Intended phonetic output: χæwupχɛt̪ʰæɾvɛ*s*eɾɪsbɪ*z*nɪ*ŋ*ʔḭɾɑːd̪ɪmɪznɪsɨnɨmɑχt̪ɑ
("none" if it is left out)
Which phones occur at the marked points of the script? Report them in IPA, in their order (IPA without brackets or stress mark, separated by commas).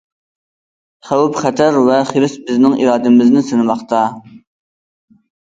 χ, z, ŋ